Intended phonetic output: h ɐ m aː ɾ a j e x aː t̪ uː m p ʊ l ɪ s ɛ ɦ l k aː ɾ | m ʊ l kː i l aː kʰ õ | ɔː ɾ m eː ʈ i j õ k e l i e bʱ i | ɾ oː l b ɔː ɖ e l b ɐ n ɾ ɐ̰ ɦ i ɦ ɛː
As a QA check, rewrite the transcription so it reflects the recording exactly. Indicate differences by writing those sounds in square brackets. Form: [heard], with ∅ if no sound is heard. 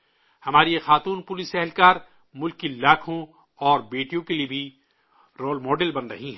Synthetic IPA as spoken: h ɐ m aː ɾ [i] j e x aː t̪ uː [n] p ʊ l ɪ s ɛ ɦ l k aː ɾ | m ʊ l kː i l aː kʰ õ | ɔː ɾ [b] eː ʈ i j õ k e l i e bʱ i | ɾ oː l [m] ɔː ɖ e l b ɐ n ɾ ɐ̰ ɦ i ɦ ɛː